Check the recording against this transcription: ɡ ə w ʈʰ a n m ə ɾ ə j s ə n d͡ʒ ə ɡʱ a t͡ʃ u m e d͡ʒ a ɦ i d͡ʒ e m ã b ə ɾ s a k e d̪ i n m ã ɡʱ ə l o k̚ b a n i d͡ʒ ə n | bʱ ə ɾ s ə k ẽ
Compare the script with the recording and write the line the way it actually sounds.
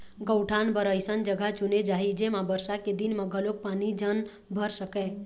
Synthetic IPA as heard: ɡ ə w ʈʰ a n b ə ɾ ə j s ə n d͡ʒ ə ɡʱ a t͡ʃ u n e d͡ʒ a ɦ i d͡ʒ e m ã b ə ɾ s a k e d̪ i n m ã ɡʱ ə l o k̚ p a n i d͡ʒ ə n | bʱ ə ɾ s ə k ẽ